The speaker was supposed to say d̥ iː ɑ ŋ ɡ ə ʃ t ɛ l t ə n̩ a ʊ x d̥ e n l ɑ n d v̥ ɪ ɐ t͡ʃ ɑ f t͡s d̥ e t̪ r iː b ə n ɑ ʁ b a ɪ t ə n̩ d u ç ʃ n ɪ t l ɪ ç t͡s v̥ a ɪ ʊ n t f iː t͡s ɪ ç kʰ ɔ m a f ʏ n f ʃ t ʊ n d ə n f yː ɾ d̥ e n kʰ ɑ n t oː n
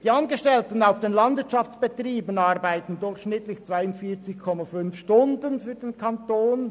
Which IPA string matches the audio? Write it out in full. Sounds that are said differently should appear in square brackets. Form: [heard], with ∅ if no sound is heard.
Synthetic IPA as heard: d̥ iː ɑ [n] ɡ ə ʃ t ɛ l t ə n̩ a ʊ [f] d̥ e n l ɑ n d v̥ ɪ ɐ t͡ʃ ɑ f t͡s [b̥] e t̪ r iː b ə n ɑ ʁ b a ɪ t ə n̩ d [ʊ] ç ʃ n ɪ t l ɪ ç t͡s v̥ a ɪ ʊ n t f iː t͡s ɪ ç kʰ ɔ m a f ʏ n f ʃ t ʊ n d ə n f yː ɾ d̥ e n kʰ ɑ n t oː n